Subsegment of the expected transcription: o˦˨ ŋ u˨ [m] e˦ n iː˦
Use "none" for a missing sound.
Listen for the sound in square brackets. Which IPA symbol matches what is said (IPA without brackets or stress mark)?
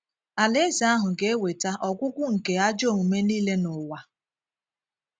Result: m